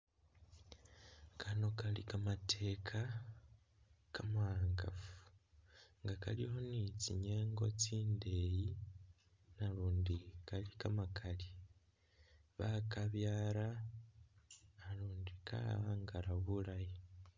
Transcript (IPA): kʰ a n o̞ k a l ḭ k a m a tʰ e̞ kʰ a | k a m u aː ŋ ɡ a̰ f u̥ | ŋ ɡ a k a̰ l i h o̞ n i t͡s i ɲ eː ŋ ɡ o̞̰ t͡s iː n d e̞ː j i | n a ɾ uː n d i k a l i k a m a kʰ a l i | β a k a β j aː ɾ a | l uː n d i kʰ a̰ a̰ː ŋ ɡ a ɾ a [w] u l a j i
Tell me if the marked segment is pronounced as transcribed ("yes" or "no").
no